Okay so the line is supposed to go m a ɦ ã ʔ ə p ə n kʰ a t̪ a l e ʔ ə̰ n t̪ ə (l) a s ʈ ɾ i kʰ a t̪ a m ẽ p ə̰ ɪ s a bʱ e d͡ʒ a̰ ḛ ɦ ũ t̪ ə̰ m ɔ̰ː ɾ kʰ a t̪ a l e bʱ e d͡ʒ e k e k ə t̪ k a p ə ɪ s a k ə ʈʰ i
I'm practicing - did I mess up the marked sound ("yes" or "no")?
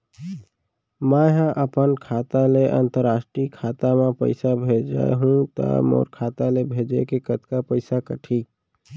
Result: yes